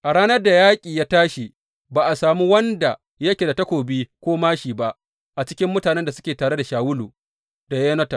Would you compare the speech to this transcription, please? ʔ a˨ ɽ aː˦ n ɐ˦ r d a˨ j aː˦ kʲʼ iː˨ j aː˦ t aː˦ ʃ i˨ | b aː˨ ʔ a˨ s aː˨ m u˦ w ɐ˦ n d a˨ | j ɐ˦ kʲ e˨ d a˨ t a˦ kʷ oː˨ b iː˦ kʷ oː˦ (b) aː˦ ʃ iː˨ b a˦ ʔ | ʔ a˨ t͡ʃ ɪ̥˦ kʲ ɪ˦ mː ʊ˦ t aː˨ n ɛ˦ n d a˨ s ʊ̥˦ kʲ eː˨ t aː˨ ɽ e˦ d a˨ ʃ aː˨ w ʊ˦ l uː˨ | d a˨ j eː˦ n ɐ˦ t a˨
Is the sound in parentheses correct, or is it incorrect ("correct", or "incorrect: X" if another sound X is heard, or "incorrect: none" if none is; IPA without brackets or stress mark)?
incorrect: m